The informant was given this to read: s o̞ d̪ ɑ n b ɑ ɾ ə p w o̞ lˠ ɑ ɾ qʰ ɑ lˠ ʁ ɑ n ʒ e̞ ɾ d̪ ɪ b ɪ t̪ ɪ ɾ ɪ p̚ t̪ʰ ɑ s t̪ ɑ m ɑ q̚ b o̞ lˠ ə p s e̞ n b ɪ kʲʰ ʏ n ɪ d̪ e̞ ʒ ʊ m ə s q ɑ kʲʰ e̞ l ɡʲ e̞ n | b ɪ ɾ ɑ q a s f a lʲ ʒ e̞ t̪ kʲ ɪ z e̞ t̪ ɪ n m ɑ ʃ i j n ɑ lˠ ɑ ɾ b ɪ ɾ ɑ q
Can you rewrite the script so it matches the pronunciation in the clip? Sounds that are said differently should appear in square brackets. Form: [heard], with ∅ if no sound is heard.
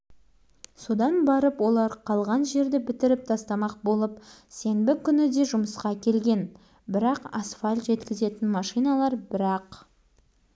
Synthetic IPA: s o̞ d̪ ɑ n b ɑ ɾ ə p w o̞ lˠ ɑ ɾ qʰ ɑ lˠ ʁ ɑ n ʒ e̞ ɾ d̪ ɪ b ɪ t̪ ɪ ɾ ɪ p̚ t̪ʰ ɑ s t̪ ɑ m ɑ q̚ b o̞ lˠ ə p s e̞ n b ɪ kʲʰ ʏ n ɪ d̪ e̞ ʒ ʊ m ə s q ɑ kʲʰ e̞ l ɡʲ e̞ n | b ɪ ɾ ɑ q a s f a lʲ ʒ e̞ t̪ kʲ ɪ z e̞ t̪ ɪ n m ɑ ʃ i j n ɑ lˠ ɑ ɾ b ɪ ɾ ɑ q

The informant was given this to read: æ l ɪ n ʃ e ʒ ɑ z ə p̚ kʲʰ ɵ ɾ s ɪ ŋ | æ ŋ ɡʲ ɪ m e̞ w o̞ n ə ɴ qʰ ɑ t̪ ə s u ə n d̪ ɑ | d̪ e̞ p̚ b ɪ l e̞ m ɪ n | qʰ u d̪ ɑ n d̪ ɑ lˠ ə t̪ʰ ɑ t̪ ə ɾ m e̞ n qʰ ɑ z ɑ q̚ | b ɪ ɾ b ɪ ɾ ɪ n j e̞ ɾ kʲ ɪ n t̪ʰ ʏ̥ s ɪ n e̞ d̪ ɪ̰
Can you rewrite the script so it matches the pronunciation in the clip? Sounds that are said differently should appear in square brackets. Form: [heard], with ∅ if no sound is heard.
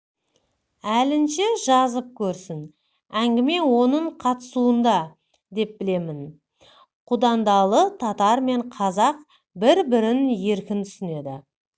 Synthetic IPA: æ l ɪ n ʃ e ʒ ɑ z ə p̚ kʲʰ ɵ ɾ s ɪ [n] | æ ŋ ɡʲ ɪ m e̞ w o̞ n ə ɴ qʰ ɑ t̪ ə s u ə n d̪ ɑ | d̪ e̞ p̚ b ɪ l e̞ m ɪ n | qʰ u d̪ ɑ n d̪ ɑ lˠ ə t̪ʰ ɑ t̪ [ɑ] ɾ m e̞ [ɴ] qʰ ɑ z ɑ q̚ | b ɪ ɾ b ɪ ɾ ɪ n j e̞ ɾ kʲ ɪ n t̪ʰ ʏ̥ s ɪ n e̞ d̪ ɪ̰

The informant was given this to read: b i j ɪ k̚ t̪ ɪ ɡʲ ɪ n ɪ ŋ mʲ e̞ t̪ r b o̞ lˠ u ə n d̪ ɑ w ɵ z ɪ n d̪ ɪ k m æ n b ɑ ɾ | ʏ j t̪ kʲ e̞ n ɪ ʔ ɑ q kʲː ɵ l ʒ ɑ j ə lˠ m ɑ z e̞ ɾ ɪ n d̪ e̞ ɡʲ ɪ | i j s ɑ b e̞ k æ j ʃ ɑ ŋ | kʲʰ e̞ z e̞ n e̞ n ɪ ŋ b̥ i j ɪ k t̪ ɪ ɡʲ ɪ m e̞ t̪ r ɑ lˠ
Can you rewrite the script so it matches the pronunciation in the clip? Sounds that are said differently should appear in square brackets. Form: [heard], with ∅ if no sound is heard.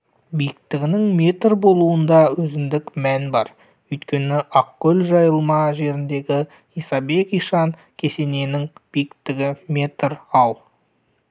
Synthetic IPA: b i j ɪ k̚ t̪ ɪ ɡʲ ɪ n ɪ ŋ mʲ e̞ t̪ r b o̞ lˠ u ə n d̪ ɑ w ɵ z ɪ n d̪ ɪ k m æ n b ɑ ɾ | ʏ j t̪ kʲ e̞ n ɪ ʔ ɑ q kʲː ɵ l ʒ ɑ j ə lˠ m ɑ [ʒ] e̞ ɾ ɪ n d̪ e̞ ɡʲ ɪ | i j s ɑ b e̞ k [i] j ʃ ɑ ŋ | kʲʰ e̞ [s] e̞ n e̞ n ɪ ŋ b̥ i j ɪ k t̪ ɪ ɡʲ ɪ m e̞ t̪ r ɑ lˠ

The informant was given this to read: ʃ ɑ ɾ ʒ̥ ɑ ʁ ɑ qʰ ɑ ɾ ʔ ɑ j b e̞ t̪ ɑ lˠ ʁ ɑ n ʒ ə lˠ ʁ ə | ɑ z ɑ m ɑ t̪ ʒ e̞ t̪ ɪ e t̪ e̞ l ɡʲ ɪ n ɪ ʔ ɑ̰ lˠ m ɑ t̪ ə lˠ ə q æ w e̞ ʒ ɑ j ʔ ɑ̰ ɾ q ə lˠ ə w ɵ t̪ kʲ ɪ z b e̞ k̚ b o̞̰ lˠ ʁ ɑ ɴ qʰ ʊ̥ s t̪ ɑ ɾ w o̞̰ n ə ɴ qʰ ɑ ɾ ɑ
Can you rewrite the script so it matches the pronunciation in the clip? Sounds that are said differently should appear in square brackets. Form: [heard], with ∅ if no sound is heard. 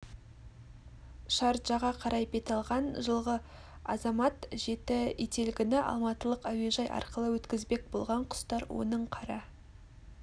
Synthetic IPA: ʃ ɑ ɾ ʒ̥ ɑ ʁ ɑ qʰ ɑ ɾ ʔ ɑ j b e̞ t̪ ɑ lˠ ʁ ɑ n ʒ ə lˠ ʁ ə | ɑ z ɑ m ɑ t̪ ʒ e̞ t̪ ɪ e t̪ e̞ l ɡʲ ɪ n ɪ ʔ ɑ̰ lˠ m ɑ t̪ ə lˠ ə q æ w e̞ ʒ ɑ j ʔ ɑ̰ ɾ q ə lˠ ə w ɵ t̪ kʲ ɪ z b e̞ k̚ b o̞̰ lˠ ʁ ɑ ɴ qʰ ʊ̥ s t̪ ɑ ɾ w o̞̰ n ə ɴ qʰ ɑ ɾ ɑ

